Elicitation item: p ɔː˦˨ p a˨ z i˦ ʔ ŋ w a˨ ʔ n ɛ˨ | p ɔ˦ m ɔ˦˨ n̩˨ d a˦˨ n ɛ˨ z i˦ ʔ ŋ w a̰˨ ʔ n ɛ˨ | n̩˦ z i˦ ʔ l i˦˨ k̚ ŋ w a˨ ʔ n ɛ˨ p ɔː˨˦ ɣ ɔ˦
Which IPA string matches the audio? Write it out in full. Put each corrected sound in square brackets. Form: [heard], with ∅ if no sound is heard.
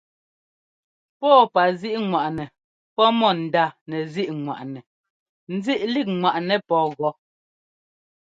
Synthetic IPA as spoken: p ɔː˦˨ p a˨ z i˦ ʔ ŋ w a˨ ʔ n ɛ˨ | p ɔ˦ m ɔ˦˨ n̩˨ d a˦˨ n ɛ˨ z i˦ ʔ ŋ w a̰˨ ʔ n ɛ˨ | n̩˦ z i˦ ʔ l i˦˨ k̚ ŋ w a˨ ʔ n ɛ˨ p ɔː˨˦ ɣ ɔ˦